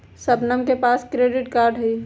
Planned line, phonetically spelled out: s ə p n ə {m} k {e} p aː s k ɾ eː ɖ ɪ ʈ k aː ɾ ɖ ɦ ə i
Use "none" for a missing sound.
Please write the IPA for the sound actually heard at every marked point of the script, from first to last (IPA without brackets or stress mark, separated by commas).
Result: m, e